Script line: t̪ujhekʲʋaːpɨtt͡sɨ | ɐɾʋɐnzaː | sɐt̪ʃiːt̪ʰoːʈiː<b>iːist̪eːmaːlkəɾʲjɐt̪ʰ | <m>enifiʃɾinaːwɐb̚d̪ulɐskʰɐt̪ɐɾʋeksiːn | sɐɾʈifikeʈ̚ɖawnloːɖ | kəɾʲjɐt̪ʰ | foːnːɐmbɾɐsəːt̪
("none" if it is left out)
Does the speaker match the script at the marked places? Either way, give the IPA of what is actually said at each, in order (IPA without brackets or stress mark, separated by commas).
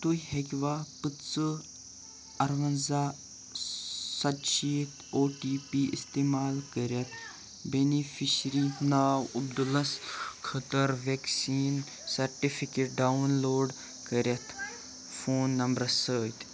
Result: p, b